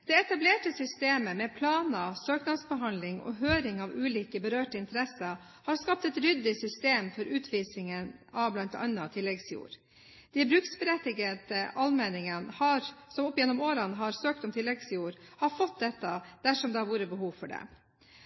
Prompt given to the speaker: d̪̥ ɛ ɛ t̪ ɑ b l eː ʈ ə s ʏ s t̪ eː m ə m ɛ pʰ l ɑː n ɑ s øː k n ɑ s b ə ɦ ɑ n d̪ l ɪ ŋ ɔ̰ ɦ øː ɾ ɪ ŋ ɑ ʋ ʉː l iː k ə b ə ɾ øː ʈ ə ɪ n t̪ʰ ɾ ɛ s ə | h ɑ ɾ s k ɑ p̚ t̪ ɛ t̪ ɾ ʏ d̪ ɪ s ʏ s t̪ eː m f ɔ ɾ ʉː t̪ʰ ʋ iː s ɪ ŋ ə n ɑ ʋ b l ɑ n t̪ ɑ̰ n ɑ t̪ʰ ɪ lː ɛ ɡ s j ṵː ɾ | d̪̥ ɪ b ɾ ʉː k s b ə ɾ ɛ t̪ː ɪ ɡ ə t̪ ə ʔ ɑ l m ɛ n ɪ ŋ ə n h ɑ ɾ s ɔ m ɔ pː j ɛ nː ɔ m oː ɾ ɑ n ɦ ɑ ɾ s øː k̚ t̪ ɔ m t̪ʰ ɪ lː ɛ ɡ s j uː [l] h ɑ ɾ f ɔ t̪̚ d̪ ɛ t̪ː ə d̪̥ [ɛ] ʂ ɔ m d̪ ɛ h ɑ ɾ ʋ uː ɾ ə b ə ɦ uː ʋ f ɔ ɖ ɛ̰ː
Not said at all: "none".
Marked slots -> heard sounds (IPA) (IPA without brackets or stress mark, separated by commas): ɾ, æ